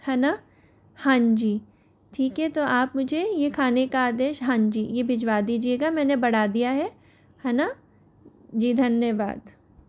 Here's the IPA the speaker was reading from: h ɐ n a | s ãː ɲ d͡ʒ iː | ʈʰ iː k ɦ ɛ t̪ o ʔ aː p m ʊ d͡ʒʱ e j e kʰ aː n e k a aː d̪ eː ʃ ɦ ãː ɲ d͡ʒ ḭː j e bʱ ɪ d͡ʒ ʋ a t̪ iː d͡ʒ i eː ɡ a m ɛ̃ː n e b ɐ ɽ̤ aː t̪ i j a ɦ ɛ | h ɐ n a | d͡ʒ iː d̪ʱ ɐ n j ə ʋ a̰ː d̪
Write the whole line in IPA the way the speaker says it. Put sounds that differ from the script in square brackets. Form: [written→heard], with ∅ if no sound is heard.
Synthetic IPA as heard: h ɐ n a | [s→h] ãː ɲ d͡ʒ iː | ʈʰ iː k ɦ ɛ t̪ o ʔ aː p m ʊ d͡ʒʱ e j e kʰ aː n e k a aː d̪ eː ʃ ɦ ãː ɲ d͡ʒ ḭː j e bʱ ɪ d͡ʒ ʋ a [t̪→d̪] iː d͡ʒ i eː ɡ a m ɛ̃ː n e b ɐ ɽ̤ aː [t̪→d̪] i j a ɦ ɛ | h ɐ n a | d͡ʒ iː d̪ʱ ɐ n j ə ʋ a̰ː d̪